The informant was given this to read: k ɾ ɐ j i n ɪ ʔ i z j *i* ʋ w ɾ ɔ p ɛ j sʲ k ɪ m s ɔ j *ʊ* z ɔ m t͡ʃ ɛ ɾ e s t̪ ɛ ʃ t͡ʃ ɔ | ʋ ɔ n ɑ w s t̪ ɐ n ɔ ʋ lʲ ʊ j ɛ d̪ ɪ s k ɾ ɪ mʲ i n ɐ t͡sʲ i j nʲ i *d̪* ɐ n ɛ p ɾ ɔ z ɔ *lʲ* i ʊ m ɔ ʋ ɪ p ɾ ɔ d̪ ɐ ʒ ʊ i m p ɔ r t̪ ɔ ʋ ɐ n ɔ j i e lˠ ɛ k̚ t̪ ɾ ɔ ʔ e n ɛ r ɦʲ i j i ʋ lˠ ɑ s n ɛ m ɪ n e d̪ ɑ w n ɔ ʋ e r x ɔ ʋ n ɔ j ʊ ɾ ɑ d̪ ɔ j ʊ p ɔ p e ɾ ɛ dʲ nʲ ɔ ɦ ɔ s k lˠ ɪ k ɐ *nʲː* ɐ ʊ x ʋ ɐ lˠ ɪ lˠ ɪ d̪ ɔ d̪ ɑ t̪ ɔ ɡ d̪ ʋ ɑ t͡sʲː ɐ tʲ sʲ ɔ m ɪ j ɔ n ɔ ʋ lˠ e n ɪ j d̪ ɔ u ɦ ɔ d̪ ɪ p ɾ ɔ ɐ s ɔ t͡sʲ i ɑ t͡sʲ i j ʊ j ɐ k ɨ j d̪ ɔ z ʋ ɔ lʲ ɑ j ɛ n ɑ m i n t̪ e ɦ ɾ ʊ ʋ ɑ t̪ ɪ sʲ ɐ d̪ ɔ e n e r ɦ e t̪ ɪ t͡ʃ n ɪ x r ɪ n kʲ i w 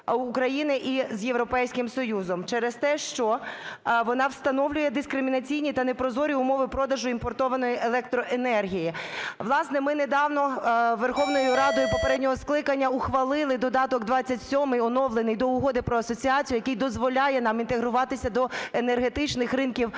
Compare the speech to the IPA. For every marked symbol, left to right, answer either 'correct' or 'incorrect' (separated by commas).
incorrect, incorrect, incorrect, incorrect, correct